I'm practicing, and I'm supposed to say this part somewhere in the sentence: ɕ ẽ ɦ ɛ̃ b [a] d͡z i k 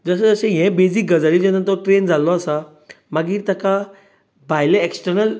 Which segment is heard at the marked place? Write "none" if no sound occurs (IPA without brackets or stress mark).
e